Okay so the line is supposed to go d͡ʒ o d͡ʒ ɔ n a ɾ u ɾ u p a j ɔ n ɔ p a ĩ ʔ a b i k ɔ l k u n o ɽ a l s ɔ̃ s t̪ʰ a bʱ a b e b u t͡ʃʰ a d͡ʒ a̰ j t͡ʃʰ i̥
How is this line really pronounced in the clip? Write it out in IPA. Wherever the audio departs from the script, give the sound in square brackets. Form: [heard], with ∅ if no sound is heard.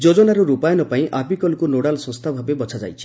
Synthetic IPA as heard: d͡ʒ o d͡ʒ ɔ n a ɾ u ɾ u p a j ɔ n ɔ p a ĩ ʔ a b i k ɔ l k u n o ɽ a l s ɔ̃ s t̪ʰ a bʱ a b e b [ɔ] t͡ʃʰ a d͡ʒ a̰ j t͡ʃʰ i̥